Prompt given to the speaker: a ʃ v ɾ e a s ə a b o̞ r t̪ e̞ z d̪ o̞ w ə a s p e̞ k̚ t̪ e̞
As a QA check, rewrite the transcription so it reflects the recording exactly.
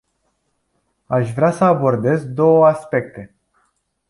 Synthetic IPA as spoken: a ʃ v ɾ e a s ə a b o̞ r d̪ e̞ z d̪ o̞ w ə a s p e̞ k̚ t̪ e̞